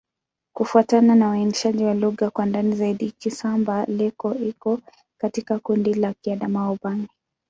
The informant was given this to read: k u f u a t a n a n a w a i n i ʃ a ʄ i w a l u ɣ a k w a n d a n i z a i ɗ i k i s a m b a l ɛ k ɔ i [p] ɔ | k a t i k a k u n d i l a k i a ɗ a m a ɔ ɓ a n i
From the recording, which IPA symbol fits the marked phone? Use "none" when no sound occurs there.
k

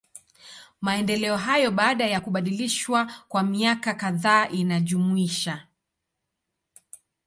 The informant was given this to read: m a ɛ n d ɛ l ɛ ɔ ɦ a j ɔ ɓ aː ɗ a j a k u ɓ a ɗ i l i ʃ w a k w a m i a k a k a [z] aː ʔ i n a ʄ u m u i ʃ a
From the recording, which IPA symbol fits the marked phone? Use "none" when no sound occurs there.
ð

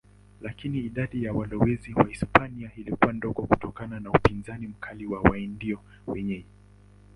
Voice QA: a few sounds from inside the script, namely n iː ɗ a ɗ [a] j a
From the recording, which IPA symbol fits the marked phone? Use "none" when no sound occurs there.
i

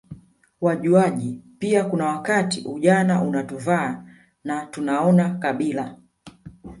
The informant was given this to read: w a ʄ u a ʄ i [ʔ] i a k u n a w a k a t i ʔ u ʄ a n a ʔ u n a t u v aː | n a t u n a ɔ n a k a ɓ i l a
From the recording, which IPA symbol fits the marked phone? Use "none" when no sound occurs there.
p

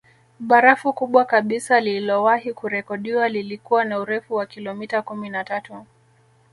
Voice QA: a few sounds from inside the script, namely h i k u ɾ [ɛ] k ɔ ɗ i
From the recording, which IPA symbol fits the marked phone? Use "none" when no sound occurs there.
ɛ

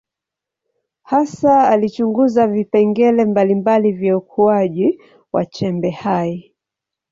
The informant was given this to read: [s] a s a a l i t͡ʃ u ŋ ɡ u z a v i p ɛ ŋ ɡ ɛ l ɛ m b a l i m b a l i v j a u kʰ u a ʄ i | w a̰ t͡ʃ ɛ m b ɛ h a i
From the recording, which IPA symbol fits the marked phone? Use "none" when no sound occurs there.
h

